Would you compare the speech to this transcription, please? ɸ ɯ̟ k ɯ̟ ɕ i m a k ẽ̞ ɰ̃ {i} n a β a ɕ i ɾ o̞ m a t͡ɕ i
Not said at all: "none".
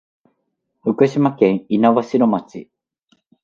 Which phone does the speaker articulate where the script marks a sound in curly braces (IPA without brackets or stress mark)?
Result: i